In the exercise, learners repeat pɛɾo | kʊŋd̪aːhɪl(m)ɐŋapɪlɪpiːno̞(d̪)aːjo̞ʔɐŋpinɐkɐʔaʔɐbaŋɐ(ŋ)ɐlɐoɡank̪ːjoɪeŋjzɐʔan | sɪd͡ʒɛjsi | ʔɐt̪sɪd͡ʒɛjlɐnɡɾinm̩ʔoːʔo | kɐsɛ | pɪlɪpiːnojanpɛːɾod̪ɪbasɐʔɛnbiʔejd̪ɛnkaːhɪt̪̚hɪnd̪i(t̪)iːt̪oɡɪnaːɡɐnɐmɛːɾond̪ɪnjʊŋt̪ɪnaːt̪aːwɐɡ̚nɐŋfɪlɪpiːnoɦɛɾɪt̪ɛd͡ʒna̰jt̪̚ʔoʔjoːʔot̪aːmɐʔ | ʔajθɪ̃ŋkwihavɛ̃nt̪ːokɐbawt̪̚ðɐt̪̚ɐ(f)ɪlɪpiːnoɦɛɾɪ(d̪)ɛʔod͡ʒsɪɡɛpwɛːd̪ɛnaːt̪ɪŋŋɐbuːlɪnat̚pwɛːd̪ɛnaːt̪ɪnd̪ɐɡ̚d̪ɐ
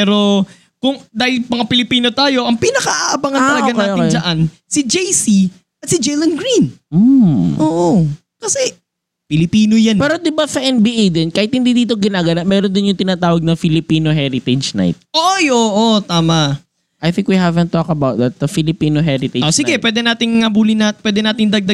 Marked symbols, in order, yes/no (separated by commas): yes, no, no, no, yes, no